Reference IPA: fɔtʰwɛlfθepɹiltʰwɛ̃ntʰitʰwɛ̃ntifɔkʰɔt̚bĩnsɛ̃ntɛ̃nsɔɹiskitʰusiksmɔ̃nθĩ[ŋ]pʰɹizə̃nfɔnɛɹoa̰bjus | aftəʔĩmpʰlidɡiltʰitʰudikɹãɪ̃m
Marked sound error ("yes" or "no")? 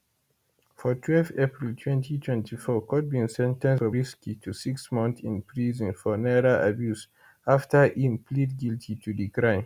yes